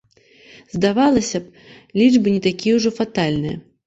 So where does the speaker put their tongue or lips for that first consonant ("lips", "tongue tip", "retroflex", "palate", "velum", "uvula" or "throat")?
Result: tongue tip